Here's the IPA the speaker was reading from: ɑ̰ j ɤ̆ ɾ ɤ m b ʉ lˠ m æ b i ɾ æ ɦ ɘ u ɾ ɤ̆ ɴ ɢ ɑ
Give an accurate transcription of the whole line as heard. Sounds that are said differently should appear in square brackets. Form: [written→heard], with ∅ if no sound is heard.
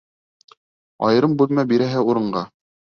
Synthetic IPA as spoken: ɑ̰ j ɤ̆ ɾ ɤ m b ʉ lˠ m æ b i ɾ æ ɦ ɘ u ɾ ɤ̆ ɴ ɢ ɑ